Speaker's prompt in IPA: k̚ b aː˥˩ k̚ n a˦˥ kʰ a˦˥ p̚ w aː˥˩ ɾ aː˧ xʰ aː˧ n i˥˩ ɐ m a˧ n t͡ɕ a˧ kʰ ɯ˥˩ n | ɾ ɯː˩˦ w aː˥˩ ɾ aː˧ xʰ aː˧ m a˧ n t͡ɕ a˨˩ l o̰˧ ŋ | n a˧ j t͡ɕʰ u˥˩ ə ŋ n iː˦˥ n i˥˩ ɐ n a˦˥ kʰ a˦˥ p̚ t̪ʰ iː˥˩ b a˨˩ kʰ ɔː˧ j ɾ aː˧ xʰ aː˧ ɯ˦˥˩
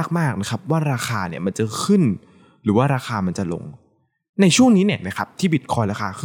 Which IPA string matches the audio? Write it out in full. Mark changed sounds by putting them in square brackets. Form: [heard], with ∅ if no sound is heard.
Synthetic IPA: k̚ [m] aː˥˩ k̚ n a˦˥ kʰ a˦˥ p̚ w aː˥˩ ɾ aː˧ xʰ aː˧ n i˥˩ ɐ m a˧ n t͡ɕ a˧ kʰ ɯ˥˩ n | ɾ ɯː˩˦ w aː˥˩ ɾ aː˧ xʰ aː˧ m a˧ n t͡ɕ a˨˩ l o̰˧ ŋ | n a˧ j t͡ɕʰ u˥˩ ə ŋ n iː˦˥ n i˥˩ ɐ n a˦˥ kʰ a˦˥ p̚ t̪ʰ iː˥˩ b [i˨˩] kʰ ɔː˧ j ɾ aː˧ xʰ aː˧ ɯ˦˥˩